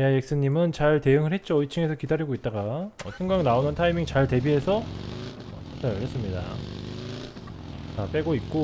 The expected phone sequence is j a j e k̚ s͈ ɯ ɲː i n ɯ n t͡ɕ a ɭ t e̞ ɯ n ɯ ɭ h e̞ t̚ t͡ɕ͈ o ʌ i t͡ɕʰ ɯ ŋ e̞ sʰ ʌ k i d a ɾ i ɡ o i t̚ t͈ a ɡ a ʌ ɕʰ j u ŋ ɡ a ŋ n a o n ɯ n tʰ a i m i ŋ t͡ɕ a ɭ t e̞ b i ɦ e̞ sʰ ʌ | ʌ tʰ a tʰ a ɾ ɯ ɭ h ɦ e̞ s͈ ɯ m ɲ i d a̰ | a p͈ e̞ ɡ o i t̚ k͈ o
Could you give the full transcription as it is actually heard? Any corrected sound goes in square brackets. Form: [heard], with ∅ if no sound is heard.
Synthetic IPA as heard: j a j e k̚ s͈ ɯ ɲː i [m] ɯ n t͡ɕ a ɭ t e̞ ɯ [ŋ] ɯ ɭ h e̞ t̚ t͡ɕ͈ o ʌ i t͡ɕʰ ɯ ŋ e̞ sʰ ʌ k i d a ɾ i ɡ o i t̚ t͈ a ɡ a ʌ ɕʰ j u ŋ ɡ a ŋ n a o n ɯ n tʰ a i m i ŋ t͡ɕ a ɭ t e̞ b i ɦ e̞ sʰ ʌ | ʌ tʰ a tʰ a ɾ ɯ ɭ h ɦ e̞ s͈ ɯ m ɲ i d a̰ | a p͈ e̞ ɡ o i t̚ k͈ o